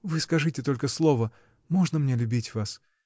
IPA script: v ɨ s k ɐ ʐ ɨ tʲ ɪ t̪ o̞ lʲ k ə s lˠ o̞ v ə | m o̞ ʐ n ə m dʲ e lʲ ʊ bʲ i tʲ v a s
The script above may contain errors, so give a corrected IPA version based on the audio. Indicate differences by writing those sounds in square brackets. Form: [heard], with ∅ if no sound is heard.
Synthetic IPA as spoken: v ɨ s k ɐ ʐ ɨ tʲ ɪ t̪ o̞ lʲ k ə s lˠ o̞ v ə | m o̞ ʐ n ə m [nʲ] e lʲ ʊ bʲ i tʲ v a s